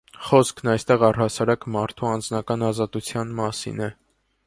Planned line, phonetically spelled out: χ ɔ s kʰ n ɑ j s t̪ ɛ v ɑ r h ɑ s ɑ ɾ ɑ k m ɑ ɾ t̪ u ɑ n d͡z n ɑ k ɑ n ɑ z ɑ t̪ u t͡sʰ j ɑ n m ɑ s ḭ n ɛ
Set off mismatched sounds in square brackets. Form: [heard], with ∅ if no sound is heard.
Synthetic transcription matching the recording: χ ɔ s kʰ n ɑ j s t̪ ɛ [ʁ] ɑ r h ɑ s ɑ ɾ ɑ k m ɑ ɾ [t̪ʰ] u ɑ n d͡z n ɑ k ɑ n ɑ z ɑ t̪ u t͡sʰ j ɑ n m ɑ s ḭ n ɛ